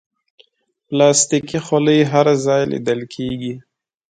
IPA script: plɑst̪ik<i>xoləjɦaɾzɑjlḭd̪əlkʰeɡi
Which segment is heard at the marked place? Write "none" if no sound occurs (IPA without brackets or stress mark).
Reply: i